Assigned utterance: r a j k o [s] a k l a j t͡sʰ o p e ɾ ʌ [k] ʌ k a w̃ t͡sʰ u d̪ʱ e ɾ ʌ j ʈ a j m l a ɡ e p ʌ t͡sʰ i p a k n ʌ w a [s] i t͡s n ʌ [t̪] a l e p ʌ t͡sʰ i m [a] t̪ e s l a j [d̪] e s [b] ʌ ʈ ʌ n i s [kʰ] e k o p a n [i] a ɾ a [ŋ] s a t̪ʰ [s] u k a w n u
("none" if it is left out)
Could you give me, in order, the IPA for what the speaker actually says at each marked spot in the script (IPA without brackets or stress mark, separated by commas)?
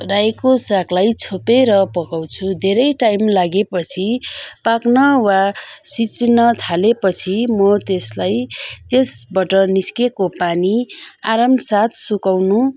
s, p, s, t̪ʰ, ʌ, t̪, b, k, i, m, s